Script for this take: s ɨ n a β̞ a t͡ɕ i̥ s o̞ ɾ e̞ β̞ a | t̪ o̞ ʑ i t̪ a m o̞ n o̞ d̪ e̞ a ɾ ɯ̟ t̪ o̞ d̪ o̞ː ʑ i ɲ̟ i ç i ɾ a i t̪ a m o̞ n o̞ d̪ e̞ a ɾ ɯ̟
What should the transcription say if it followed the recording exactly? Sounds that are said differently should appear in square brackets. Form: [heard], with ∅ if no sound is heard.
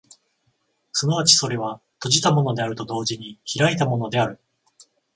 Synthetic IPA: s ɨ n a β̞ a t͡ɕ i̥ s o̞ ɾ e̞ β̞ a | t̪ o̞ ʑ i t̪ a m o̞ n o̞ d̪ e̞ a ɾ ɯ̟ t̪ o̞ d̪ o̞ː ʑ i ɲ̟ i ç i ɾ a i t̪ a m o̞ n o̞ d̪ e̞ a ɾ ɯ̟